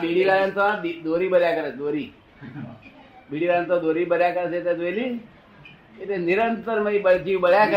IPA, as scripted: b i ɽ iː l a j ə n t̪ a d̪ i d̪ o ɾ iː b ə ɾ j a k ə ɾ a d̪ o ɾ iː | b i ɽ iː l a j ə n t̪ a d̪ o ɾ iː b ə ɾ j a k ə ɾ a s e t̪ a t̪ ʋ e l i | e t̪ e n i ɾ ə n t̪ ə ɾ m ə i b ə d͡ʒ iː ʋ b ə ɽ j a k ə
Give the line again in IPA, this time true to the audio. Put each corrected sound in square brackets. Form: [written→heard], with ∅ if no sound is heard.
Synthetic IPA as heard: b i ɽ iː l a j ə n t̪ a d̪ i d̪ o ɾ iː b ə ɾ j a k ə ɾ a d̪ o ɾ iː | b i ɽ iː l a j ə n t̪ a d̪ o ɾ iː b ə ɾ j a k ə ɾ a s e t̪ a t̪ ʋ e l i | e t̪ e n i ɾ ə n t̪ ə ɾ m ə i b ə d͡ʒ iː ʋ b ə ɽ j a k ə